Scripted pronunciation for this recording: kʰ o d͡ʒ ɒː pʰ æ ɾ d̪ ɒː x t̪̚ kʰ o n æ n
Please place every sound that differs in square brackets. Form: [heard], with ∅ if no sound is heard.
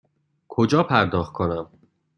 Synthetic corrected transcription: kʰ o d͡ʒ ɒː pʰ æ ɾ d̪ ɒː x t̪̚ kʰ o n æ [m]

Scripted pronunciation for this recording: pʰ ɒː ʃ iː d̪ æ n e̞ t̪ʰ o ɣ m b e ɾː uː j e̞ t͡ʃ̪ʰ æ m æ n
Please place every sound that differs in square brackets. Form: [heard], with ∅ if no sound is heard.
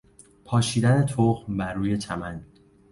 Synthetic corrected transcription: pʰ ɒː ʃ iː d̪ æ n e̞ t̪ʰ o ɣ m b [æ] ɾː uː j e̞ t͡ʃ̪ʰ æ m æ n

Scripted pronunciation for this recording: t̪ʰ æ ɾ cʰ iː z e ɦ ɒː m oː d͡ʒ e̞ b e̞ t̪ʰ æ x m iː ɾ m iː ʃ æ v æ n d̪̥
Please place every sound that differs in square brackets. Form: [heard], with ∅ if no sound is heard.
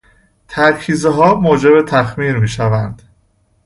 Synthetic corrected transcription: t̪ʰ æ ɾ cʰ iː z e ɦ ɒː m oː d͡ʒ e̞ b e̞ t̪ʰ æ x m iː ɾ m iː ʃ æ v æ n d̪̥

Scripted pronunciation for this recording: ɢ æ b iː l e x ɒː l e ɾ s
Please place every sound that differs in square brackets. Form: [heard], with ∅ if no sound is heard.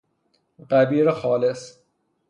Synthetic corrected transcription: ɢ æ b iː [ɾ] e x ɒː l e [∅] s

